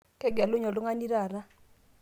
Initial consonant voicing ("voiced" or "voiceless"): voiceless